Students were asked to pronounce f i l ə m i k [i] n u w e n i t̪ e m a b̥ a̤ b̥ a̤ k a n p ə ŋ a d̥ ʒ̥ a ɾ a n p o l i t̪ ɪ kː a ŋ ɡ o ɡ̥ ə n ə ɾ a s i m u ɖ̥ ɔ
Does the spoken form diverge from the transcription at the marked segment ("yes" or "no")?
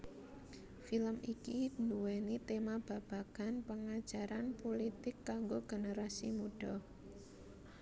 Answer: no